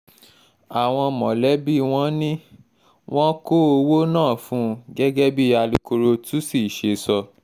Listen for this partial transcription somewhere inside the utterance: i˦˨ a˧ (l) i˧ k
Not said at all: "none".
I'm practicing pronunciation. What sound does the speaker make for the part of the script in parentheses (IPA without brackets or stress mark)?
l